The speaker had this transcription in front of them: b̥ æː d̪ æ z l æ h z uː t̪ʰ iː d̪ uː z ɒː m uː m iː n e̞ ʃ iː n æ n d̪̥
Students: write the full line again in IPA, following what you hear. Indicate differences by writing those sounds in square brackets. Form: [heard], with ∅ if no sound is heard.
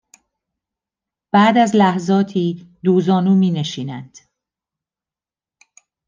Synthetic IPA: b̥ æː d̪ æ z l æ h z [ɒː] t̪ʰ iː d̪ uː z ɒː [n] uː m iː n e̞ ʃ iː n æ n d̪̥